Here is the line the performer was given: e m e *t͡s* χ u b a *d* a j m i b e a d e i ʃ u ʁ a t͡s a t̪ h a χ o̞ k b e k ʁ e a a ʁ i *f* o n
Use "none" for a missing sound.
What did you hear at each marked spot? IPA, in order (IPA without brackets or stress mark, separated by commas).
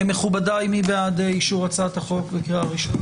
none, d, ʃ